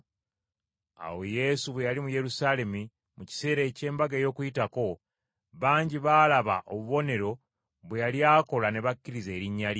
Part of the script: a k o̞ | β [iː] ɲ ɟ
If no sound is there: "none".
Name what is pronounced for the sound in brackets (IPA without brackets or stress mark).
aː